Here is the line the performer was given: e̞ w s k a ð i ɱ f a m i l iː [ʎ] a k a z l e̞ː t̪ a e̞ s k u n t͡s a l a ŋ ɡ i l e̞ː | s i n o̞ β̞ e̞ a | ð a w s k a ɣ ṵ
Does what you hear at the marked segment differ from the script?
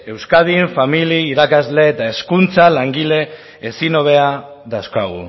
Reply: yes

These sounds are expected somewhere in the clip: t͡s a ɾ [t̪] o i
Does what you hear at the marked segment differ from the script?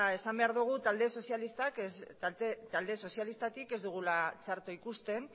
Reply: no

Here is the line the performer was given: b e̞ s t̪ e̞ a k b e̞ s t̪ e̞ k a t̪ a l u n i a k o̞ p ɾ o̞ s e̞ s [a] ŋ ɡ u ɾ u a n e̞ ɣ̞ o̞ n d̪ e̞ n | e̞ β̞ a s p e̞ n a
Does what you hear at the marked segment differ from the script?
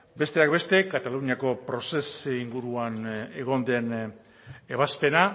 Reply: yes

